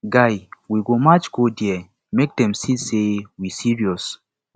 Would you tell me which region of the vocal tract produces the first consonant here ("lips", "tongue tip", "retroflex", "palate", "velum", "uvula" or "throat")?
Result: velum